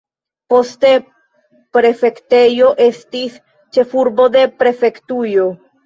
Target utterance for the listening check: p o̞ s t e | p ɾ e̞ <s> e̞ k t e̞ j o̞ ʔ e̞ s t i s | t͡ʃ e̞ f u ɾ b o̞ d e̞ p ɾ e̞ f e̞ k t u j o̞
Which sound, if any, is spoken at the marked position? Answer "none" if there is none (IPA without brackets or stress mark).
f